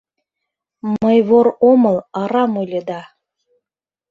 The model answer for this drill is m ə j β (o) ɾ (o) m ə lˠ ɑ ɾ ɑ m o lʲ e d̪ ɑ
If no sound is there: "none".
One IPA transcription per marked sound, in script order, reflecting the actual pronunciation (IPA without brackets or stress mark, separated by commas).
o, o